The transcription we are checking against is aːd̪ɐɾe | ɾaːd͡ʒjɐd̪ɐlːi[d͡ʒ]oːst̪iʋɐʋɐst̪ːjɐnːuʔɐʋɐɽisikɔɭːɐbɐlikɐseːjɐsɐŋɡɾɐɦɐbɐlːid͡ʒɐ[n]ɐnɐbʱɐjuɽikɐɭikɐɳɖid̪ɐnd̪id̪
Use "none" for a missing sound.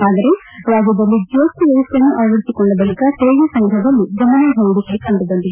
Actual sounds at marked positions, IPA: d͡ʒ, m

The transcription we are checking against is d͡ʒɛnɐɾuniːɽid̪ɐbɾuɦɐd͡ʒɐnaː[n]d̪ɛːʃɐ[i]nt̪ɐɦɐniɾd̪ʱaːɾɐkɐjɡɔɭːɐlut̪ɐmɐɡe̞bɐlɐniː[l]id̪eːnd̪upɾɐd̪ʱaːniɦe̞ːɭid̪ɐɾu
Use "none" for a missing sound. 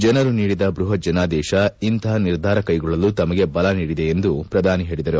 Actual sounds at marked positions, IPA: none, i, ɽ

